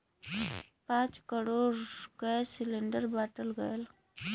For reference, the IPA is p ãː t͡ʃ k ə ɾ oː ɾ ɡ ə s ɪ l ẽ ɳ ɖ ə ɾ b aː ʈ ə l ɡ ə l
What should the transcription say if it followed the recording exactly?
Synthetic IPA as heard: p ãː t͡ʃ k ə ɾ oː ɾ ɡ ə s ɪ l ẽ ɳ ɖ ə ɾ b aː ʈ ə l ɡ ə l